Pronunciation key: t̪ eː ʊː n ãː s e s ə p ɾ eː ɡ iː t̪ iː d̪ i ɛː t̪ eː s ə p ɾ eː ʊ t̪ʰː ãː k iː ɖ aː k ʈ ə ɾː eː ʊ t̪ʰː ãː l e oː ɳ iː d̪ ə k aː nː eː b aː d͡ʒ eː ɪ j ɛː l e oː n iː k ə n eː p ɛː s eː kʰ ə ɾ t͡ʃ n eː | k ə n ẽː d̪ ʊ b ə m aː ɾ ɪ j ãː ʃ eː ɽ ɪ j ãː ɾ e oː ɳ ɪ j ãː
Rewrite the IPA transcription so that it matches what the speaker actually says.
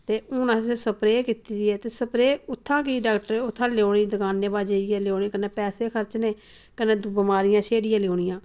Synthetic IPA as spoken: t̪ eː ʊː n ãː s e s ə p ɾ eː k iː t̪ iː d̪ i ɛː t̪ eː s ə p ɾ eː ʊ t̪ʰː ãː k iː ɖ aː k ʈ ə ɾ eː ʊ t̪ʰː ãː l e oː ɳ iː d̪ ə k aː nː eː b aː d͡ʒ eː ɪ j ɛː l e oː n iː k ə n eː p ɛː s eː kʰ ə ɾ t͡ʃ n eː | k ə n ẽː d̪ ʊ b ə m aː ɾ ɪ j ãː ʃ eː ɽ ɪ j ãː l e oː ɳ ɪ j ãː